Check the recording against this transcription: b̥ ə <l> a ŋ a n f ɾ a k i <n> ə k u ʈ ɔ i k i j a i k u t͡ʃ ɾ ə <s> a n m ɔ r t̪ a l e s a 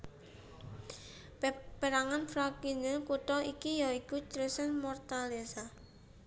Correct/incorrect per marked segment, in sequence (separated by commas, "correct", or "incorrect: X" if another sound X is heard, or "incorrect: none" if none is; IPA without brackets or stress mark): incorrect: ɾ, correct, correct